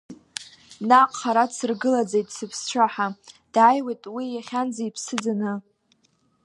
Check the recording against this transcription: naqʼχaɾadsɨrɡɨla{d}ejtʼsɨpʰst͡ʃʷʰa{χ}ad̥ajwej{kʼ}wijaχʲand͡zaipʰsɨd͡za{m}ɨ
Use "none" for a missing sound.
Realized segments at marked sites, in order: d͡z, ħ, tʼ, n

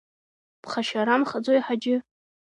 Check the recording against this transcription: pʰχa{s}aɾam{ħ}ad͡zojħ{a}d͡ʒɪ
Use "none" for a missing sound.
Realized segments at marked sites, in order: ʃ, χ, a

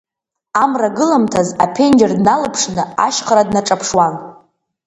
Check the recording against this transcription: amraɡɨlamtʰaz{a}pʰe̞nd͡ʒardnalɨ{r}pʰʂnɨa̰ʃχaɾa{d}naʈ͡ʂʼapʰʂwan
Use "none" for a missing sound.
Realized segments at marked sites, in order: a, none, d

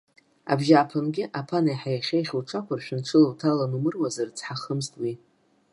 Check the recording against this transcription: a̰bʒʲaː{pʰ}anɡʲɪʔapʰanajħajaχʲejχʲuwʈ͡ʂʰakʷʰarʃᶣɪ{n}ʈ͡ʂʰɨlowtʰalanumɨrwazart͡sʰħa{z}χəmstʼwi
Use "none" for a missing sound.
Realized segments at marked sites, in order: pʰ, n, none

